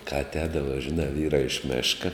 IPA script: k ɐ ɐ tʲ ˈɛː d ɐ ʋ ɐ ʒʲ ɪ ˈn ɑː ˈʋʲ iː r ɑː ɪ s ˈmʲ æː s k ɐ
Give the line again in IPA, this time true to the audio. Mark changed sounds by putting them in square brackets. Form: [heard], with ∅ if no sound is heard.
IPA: k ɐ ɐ tʲ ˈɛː d ɐ ʋ ɐ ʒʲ ɪ ˈn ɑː ˈʋʲ iː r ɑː ɪ [ʃ] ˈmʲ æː [ʃ] k ɐ